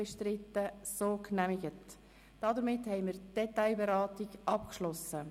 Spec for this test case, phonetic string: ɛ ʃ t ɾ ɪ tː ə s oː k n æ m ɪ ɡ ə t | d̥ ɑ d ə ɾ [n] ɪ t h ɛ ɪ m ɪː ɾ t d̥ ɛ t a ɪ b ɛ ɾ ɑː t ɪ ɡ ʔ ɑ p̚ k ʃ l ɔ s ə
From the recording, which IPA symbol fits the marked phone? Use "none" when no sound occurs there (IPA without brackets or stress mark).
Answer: m